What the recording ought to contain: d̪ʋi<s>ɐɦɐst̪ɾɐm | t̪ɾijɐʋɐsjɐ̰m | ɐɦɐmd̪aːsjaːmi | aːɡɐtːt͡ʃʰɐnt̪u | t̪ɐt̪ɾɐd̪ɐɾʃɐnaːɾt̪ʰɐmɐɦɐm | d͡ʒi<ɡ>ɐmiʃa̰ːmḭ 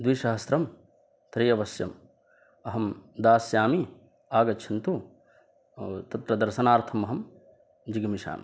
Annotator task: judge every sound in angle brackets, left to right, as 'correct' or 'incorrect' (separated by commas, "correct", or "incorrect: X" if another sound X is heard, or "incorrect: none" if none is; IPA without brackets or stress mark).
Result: incorrect: ʃ, correct